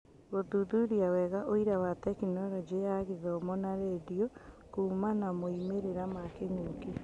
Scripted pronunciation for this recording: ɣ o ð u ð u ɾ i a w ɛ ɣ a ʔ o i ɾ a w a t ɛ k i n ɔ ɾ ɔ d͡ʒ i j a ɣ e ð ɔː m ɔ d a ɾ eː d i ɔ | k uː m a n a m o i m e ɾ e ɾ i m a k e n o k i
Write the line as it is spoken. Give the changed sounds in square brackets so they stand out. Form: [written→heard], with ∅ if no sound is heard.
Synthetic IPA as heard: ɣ o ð u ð u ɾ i a w ɛ ɣ a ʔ o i ɾ a w a t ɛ k i n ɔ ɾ ɔ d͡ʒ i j a ɣ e ð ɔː m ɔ [d→n] a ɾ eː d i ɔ | k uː m a n a m o i m e ɾ e ɾ [i→a] m a k e [n→ŋ] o k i